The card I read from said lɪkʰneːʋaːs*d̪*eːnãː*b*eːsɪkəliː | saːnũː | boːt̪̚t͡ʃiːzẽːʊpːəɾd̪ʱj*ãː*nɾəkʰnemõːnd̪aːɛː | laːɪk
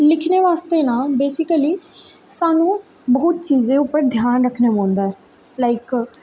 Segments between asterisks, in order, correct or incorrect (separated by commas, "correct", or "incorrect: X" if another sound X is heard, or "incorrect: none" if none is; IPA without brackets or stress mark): incorrect: t̪, correct, incorrect: aː